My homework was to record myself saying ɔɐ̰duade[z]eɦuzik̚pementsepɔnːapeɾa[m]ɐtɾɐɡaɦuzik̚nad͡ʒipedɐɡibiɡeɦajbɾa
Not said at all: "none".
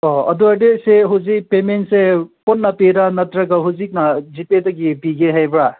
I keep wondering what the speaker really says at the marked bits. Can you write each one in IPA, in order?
s, n

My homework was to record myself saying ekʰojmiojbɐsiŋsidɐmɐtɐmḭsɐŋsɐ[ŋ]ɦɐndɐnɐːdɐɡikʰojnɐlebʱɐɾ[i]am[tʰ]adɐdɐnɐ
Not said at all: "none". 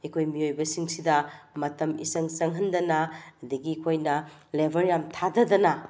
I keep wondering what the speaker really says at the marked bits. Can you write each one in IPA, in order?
ŋ, j, tʰ

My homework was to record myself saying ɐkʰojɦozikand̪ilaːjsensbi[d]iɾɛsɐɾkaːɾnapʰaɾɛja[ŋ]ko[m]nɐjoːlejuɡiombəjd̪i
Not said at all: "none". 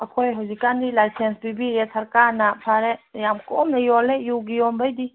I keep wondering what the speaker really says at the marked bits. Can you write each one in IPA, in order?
b, m, m

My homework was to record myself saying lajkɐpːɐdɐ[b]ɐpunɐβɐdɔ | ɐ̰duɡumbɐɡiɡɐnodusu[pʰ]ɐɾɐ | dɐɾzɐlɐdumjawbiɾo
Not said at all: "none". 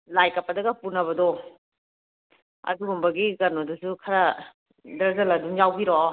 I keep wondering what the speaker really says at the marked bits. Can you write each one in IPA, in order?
ɡ, kʰ

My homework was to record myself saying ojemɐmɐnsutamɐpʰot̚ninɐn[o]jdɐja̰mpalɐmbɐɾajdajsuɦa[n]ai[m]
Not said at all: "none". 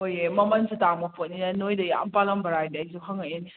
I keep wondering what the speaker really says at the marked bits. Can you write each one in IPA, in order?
o, ŋ, n

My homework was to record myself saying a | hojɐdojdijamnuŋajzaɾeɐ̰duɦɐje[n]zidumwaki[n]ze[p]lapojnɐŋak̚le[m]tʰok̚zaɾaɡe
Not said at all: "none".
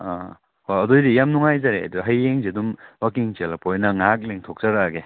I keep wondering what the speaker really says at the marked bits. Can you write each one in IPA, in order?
ŋ, ŋ, none, ŋ

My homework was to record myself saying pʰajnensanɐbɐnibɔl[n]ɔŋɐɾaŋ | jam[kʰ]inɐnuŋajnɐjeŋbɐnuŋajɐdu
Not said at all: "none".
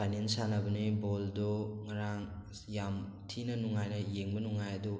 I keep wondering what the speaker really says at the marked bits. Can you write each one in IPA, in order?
d, tʰ

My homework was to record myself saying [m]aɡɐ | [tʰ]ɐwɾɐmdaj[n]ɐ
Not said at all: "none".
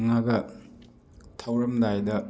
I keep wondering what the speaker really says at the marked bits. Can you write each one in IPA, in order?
ŋ, tʰ, d

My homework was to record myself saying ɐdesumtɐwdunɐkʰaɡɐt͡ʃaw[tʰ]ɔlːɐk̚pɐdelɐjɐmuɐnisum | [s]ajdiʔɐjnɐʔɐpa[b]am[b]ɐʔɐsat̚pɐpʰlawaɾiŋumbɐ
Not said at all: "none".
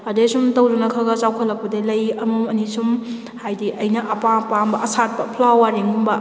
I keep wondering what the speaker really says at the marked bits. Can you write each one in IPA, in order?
kʰ, h, p, b

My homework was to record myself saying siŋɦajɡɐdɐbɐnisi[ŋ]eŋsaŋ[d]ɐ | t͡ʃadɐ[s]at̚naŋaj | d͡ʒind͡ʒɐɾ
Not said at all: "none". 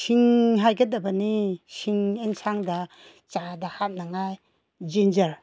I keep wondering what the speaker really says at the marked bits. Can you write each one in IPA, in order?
ŋ, d, h

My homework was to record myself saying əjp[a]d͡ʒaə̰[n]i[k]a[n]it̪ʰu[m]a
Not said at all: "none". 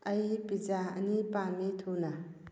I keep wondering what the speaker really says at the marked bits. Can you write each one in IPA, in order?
i, n, p, m, n

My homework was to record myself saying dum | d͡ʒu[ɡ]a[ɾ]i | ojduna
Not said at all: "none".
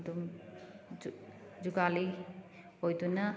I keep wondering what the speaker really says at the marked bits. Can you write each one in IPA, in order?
ɡ, l

